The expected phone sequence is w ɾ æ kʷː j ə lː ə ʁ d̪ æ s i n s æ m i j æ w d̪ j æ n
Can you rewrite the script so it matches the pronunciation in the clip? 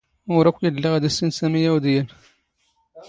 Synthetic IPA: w ɾ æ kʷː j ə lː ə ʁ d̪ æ s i n s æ m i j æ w d̪ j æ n